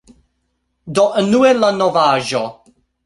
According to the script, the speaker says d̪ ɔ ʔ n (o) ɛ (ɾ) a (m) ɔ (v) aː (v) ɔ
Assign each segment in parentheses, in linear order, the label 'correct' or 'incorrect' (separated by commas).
incorrect, incorrect, incorrect, correct, incorrect